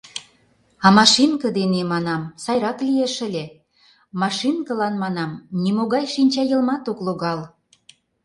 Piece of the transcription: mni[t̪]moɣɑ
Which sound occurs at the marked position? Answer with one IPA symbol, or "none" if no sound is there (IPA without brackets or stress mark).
none